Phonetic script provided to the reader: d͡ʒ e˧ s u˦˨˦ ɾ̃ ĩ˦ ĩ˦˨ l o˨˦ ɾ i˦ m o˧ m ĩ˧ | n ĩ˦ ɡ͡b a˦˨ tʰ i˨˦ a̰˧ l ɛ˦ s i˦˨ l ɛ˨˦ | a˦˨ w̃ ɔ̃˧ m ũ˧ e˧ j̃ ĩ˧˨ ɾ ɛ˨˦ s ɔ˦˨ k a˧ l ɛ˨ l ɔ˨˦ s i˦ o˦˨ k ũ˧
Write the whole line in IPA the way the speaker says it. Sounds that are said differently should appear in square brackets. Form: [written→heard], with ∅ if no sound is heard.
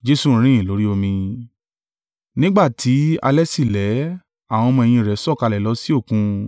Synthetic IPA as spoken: d͡ʒ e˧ s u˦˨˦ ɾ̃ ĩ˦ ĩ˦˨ l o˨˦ ɾ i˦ [m→∅] o˧ m ĩ˧ | n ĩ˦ ɡ͡b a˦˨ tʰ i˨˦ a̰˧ l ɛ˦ s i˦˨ l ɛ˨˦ | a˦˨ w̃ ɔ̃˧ m [ũ˧→ɔ̃˧] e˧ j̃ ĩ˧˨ ɾ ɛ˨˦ s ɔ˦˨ k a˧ l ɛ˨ l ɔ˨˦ s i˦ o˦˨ k ũ˧